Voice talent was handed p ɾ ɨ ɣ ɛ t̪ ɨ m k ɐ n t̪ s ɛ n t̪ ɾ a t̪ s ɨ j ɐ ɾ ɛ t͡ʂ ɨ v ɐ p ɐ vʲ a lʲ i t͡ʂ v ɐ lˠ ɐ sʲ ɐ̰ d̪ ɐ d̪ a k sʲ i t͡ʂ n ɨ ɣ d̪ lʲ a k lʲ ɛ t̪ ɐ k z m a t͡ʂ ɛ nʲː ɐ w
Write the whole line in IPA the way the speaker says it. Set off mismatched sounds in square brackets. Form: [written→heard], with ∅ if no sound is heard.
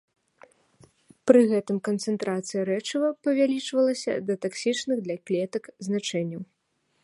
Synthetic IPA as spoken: p ɾ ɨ ɣ ɛ t̪ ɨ m k ɐ n t̪ s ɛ n t̪ ɾ a t̪ s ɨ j ɐ ɾ ɛ t͡ʂ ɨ v ɐ p ɐ vʲ a lʲ i t͡ʂ v ɐ lˠ ɐ sʲ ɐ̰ d̪ ɐ [d̪→t̪] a k sʲ i t͡ʂ n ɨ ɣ d̪ lʲ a k lʲ ɛ t̪ ɐ k z [m→n] a t͡ʂ ɛ nʲː ɐ w